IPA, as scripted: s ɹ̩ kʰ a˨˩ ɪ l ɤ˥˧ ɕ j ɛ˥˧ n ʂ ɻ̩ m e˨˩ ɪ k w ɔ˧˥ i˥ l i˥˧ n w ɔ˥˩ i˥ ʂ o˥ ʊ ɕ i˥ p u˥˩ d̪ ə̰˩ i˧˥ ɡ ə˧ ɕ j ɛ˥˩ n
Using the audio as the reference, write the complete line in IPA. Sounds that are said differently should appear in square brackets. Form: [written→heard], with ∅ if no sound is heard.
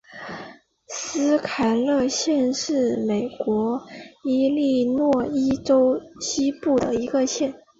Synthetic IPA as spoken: s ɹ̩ kʰ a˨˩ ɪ l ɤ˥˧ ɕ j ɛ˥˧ n ʂ ɻ̩ m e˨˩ ɪ k w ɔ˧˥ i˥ l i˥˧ n w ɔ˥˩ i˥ [ʂ→ʈ͡ʂ] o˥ ʊ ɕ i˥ p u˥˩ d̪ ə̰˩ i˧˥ ɡ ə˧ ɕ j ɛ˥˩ n